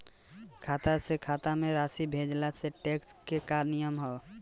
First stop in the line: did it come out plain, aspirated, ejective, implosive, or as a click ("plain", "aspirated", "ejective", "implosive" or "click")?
aspirated